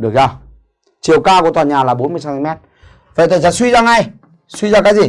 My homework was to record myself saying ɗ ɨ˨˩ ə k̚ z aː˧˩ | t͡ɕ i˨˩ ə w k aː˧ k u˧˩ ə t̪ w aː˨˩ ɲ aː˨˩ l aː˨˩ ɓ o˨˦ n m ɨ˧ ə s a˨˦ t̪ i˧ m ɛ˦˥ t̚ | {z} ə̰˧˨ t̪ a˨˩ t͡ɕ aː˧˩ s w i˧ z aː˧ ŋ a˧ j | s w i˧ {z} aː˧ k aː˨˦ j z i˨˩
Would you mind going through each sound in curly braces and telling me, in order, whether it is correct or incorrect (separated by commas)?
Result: incorrect, correct